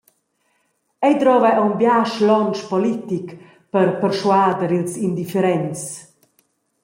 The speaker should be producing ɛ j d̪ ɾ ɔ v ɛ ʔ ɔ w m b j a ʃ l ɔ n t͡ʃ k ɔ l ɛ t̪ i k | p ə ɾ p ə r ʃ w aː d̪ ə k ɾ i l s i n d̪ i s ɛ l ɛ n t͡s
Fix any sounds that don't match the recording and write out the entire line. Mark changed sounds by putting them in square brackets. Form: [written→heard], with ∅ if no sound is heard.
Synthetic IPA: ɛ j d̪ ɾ ɔ v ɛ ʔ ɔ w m b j a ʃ l ɔ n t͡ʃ [k→p] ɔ l [ɛ→i] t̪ i k | p ə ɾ p ə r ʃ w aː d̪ ə [k→∅] ɾ i l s i n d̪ i [s→f] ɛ [l→ɾ] ɛ n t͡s